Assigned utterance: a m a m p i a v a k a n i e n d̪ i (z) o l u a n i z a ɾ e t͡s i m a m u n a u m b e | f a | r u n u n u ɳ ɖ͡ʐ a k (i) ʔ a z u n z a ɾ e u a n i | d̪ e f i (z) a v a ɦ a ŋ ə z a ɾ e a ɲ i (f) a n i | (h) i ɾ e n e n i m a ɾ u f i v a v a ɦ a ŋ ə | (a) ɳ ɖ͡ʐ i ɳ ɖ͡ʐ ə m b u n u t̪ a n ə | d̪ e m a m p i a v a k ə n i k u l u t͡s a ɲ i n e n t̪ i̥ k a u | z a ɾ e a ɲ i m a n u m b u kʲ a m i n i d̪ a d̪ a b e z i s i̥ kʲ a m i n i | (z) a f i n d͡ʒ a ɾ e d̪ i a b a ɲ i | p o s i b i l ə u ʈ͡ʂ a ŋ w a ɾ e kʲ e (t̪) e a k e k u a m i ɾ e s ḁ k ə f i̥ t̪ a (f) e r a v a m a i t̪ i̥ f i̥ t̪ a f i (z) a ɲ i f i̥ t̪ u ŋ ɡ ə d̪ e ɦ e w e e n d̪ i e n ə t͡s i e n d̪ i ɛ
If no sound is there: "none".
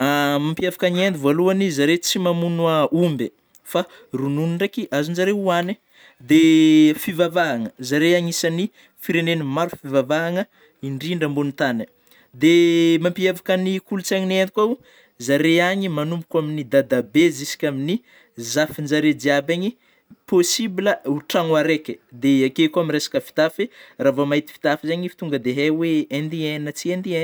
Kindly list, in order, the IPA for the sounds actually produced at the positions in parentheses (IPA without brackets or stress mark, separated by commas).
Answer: v, i, v, s, f, i, z, d̪, f, z